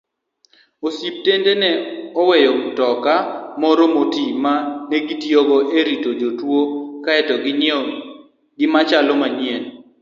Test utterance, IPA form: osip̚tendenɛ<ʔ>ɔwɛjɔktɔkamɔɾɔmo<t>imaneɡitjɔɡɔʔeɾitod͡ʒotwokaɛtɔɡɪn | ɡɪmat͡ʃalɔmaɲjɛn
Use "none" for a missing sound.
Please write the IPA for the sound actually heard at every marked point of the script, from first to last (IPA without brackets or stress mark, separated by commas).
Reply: none, t